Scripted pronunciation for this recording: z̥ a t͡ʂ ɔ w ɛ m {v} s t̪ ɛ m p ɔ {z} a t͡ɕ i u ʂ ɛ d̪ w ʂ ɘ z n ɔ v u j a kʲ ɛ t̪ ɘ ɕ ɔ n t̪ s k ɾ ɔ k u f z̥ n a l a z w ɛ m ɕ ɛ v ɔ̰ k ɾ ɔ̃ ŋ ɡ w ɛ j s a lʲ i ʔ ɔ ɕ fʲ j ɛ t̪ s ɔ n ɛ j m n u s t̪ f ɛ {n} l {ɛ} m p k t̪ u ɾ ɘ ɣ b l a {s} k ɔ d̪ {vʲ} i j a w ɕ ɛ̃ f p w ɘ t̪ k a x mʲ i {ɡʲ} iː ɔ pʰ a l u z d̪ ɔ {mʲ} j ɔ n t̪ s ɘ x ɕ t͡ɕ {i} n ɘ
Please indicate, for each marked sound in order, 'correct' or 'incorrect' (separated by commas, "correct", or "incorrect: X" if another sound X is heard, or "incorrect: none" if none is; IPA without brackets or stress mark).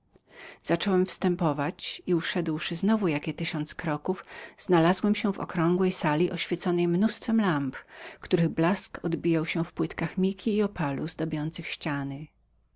incorrect: f, incorrect: v, incorrect: m, incorrect: a, correct, incorrect: bʲ, incorrect: kʲ, incorrect: bʲ, incorrect: a